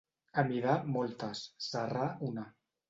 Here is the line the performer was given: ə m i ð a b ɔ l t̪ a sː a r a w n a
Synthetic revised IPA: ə m i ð a m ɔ l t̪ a sː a r a u n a